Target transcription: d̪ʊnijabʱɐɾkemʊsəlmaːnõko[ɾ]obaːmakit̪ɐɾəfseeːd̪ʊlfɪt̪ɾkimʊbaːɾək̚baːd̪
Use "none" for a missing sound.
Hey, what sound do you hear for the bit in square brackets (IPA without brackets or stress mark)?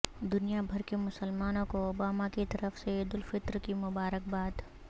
none